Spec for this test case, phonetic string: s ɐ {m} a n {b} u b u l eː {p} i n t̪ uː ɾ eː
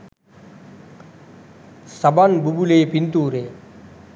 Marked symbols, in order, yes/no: no, yes, yes

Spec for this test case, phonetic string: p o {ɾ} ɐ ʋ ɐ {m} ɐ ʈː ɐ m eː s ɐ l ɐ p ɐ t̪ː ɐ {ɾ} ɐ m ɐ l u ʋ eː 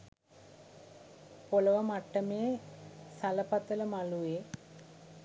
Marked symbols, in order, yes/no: no, yes, no

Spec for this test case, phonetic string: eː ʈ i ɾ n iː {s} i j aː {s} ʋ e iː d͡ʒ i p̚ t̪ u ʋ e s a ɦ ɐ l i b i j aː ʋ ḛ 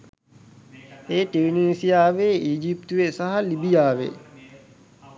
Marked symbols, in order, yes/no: yes, no

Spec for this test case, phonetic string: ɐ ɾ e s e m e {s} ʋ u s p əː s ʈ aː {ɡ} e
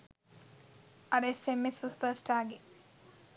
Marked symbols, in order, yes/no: yes, yes

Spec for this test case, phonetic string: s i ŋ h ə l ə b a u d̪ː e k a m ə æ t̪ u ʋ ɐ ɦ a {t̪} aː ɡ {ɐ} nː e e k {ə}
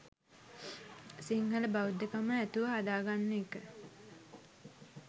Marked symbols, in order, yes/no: no, no, yes

